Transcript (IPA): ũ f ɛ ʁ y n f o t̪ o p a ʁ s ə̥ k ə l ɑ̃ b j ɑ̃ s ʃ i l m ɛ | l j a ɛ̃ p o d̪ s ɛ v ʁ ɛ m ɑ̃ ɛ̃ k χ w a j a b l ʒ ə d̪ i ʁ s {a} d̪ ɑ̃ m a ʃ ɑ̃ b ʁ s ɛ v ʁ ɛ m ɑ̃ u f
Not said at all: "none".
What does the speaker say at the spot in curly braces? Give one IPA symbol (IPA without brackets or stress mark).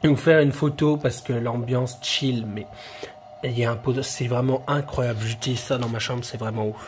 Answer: a